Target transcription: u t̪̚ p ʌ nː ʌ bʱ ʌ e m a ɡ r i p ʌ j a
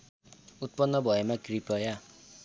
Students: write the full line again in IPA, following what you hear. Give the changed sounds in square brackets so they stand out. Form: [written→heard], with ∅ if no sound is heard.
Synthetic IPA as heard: u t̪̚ p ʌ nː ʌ bʱ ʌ e m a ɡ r i p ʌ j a